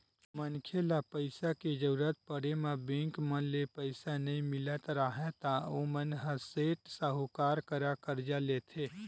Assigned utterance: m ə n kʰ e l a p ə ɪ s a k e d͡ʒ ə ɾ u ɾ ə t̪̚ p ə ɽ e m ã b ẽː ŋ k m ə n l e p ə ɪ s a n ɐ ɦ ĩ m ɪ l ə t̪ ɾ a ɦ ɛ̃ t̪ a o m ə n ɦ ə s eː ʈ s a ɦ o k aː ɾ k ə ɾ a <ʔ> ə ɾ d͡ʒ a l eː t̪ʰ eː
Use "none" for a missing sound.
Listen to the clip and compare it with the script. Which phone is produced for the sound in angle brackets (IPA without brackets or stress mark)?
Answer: k